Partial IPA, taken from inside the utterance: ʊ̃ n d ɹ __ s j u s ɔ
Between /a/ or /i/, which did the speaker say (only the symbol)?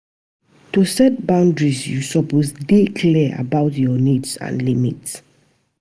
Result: i